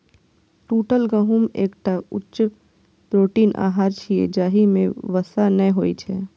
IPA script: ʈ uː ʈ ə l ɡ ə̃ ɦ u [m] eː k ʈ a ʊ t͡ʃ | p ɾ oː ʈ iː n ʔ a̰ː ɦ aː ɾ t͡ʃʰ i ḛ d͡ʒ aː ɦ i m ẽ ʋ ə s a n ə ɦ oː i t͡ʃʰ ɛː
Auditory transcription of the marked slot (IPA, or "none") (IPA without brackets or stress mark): m